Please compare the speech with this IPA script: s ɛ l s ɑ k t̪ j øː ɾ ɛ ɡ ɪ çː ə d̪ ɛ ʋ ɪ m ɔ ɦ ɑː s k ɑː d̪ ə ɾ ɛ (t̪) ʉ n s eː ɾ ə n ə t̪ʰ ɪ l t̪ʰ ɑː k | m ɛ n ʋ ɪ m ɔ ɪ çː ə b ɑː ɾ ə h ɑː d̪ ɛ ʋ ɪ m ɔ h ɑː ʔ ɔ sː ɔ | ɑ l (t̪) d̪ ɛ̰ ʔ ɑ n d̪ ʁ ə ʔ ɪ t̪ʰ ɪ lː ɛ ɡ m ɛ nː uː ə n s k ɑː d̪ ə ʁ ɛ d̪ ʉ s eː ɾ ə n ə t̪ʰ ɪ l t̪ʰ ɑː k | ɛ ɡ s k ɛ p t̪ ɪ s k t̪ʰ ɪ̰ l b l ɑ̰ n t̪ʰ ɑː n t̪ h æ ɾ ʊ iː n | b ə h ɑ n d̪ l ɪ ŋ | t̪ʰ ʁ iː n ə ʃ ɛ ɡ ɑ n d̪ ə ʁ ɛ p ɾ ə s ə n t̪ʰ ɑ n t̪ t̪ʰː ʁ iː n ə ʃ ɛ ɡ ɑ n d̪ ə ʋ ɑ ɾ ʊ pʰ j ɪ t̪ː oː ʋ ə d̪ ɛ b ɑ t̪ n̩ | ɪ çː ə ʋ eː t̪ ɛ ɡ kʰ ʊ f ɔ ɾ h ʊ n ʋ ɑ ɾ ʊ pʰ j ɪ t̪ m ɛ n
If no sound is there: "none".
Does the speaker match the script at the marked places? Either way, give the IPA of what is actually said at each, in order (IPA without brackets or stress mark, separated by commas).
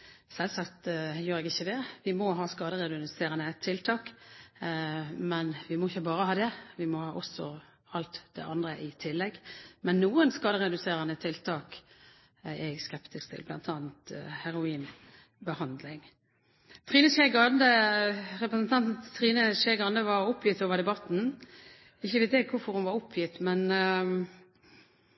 d̪, t̪